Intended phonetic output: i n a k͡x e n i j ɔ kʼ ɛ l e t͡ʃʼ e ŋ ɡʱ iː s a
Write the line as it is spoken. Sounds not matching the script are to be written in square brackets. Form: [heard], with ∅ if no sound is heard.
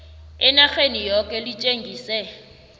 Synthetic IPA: [ɪ] n a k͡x e n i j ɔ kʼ ɛ l [i] t͡ʃʼ e ŋ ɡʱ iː s [ɛ]